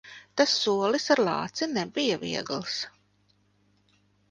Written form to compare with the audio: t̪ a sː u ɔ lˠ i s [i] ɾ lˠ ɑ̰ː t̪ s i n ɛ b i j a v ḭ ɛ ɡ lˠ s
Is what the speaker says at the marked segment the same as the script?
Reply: no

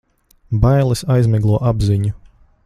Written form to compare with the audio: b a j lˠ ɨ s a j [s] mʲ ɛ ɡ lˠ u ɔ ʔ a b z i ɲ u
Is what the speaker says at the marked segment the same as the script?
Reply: no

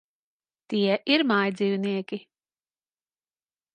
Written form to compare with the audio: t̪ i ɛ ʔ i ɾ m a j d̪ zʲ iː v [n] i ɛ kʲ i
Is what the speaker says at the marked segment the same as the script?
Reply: yes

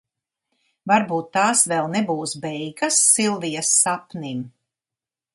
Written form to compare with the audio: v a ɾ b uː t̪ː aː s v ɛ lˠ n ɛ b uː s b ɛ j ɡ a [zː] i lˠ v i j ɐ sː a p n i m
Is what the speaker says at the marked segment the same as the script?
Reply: no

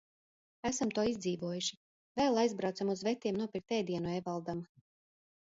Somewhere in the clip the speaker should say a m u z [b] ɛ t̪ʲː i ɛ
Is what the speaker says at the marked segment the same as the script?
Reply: no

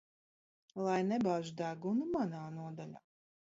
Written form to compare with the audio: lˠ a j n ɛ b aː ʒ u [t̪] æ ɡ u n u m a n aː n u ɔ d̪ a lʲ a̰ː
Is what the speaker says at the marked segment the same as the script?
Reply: no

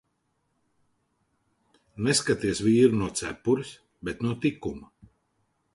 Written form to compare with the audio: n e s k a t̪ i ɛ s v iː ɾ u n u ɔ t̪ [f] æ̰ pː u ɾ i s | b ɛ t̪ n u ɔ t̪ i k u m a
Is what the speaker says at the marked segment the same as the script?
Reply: no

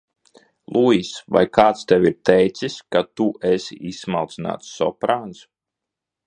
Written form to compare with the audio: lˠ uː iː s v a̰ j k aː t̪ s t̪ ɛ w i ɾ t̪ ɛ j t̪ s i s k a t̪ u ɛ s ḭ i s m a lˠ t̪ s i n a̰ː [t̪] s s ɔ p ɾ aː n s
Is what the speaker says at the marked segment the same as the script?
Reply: yes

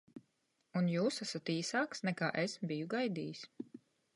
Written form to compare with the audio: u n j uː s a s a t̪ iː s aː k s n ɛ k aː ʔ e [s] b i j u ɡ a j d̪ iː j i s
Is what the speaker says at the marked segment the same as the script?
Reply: yes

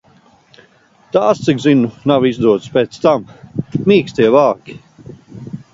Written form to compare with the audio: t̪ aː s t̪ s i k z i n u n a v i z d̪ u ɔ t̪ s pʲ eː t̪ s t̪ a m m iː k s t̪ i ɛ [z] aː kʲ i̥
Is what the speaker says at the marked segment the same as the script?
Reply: no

